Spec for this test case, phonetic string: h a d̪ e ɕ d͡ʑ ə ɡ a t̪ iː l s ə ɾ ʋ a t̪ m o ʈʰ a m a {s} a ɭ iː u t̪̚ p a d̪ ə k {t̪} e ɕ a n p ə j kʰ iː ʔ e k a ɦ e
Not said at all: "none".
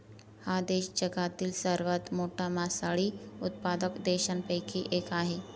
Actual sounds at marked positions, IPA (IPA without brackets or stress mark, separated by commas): s, d̪